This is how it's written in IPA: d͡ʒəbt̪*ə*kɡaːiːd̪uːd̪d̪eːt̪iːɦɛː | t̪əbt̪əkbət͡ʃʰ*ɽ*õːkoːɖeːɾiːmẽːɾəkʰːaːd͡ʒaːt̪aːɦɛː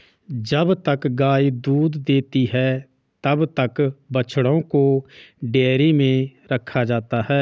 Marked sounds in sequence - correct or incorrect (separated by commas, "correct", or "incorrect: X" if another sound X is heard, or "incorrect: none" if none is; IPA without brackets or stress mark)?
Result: correct, correct